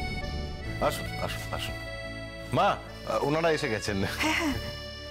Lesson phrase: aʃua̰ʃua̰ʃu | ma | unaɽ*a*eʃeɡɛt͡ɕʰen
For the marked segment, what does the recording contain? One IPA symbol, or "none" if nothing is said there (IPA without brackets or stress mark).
a